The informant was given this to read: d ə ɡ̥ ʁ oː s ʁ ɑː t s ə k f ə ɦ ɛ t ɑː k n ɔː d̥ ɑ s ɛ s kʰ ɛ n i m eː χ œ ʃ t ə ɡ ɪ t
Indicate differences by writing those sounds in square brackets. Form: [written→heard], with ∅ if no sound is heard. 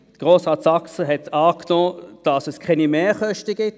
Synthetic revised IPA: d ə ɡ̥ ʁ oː s ʁ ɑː t s [ə→ɑ] k [f→s] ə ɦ ɛ t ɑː k n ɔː d̥ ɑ s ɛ s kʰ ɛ n i m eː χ œ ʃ t ə ɡ ɪ t